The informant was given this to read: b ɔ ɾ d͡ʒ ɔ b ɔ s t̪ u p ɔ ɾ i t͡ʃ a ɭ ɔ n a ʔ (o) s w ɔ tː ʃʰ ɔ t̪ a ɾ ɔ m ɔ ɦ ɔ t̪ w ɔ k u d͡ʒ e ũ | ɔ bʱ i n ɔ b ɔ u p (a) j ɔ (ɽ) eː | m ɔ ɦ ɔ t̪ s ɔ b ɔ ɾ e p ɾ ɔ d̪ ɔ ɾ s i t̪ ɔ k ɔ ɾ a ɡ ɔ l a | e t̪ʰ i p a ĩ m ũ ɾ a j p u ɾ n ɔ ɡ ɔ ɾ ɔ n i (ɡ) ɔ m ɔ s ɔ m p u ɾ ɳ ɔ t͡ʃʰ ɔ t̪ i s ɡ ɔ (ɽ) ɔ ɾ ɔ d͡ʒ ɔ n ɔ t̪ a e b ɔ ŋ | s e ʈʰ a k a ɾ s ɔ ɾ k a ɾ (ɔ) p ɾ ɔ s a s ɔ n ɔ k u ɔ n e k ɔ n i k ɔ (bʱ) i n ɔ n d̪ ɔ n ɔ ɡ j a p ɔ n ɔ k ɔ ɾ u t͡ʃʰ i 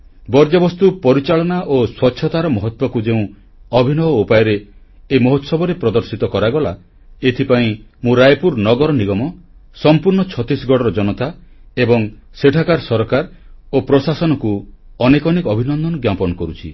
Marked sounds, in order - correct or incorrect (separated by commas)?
correct, correct, incorrect, correct, correct, incorrect, correct